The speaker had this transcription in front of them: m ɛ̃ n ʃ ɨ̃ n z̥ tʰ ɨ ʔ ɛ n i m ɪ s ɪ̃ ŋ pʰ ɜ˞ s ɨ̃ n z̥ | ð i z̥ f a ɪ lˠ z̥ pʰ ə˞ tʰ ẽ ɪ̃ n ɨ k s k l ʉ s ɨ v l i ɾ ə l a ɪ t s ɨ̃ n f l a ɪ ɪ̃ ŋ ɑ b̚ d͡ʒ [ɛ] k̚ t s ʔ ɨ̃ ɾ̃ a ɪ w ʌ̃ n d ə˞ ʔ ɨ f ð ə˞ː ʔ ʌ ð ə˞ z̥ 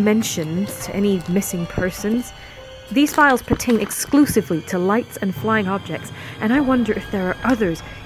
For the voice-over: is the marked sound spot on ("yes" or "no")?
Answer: yes